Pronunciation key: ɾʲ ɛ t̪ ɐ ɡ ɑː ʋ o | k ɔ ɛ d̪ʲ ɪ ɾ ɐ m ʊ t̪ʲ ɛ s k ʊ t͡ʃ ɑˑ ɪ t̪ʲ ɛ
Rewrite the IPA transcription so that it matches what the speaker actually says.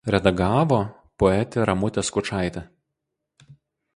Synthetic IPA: ɾʲ ɛ d̪ ɐ ɡ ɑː ʋ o | p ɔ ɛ t̪ʲ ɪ ɾ ɐ m ʊ t̪ʲ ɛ s k ʊ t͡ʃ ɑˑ ɪ t̪ʲ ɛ